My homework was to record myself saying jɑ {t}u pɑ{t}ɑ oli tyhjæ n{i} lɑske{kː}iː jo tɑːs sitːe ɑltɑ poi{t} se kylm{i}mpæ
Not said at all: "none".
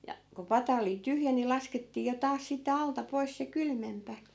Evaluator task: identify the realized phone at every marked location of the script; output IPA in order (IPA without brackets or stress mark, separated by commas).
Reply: k, t, i, tː, s, e